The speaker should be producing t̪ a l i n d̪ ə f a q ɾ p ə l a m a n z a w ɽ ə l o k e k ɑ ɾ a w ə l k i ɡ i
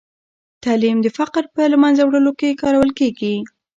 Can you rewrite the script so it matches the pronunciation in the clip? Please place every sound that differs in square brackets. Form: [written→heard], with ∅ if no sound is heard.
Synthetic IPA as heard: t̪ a l i [n→m] d̪ ə f a q ɾ p ə l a m a n z a w ɽ ə l o k e k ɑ ɾ a w ə l k [i→e] ɡ i